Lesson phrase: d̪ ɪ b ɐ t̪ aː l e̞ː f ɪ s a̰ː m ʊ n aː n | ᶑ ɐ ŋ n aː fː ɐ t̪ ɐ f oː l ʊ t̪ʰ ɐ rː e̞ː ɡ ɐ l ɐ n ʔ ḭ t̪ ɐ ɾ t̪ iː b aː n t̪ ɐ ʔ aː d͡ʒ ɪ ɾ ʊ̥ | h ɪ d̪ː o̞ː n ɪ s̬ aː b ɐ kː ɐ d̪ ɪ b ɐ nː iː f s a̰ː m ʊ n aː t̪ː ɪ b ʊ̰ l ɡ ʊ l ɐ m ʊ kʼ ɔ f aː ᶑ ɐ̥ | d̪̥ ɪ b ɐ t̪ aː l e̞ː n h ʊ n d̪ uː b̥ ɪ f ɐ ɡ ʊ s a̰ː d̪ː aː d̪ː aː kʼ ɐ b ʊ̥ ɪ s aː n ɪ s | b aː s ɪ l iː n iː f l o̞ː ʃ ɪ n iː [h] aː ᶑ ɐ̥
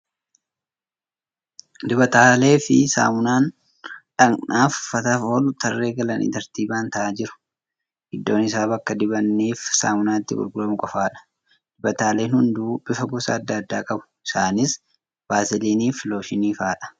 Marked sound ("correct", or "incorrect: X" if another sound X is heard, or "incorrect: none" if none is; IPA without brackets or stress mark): incorrect: f